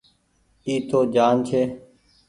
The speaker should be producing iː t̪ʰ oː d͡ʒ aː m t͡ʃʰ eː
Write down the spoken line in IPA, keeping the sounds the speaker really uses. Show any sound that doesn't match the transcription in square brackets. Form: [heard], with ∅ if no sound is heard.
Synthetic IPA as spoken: iː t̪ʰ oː d͡ʒ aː [n] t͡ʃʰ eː